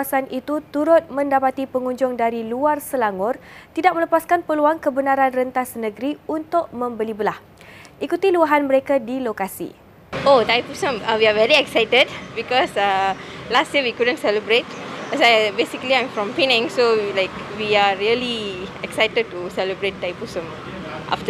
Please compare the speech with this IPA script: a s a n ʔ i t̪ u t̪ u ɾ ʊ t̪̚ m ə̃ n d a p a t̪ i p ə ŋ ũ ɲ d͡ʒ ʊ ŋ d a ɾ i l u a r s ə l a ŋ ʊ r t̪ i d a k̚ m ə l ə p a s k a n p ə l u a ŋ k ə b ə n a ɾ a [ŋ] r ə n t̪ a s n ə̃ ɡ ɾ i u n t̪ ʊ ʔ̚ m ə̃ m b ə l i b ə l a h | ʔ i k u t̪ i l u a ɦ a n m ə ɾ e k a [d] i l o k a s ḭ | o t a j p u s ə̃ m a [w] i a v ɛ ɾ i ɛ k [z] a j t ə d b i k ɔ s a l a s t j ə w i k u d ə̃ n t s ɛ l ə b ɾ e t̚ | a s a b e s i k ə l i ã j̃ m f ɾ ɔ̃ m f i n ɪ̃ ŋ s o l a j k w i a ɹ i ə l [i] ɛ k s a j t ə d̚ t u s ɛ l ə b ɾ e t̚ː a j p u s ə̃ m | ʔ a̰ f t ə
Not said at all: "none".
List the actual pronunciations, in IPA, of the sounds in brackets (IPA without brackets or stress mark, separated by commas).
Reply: n, d, w, s, i